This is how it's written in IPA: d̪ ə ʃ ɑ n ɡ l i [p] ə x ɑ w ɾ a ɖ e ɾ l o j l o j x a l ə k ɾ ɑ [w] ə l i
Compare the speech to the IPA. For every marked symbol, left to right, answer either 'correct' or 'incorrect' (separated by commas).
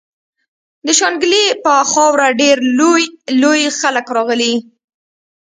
correct, incorrect